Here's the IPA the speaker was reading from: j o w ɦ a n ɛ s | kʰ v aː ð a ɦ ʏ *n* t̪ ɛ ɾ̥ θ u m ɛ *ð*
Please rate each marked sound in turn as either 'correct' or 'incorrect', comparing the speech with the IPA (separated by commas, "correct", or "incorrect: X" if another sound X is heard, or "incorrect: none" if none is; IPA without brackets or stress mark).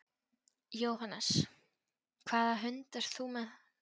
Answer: correct, correct